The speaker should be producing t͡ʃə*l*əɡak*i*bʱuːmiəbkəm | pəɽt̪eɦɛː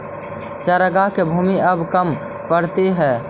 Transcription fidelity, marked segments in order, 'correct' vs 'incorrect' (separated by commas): incorrect, incorrect